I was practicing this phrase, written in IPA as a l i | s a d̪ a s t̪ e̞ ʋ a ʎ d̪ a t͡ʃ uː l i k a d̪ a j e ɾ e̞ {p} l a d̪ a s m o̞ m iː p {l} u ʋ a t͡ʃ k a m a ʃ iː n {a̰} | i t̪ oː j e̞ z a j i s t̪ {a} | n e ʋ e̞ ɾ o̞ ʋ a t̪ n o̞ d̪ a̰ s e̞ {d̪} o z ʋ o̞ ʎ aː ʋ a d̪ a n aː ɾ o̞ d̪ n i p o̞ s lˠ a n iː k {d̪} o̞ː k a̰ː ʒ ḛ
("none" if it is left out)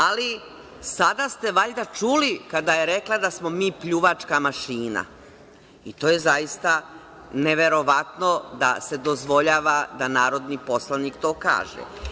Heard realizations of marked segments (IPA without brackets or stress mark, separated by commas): k, ʎ, a̰, a, d̪, t̪